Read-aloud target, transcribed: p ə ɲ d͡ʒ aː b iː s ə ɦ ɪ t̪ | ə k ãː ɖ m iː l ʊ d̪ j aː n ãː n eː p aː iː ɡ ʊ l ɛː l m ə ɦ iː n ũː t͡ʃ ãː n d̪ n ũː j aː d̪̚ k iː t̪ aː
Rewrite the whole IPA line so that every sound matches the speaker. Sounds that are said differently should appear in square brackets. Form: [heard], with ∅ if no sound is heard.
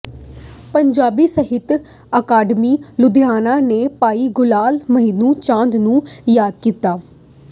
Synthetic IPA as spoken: p ə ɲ d͡ʒ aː b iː s ə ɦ ɪ t̪ | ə k [aː] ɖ m iː l ʊ d̪ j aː n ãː n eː p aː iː ɡ ʊ l [aː] l m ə ɦ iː n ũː t͡ʃ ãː n d̪ n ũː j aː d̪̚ k iː t̪ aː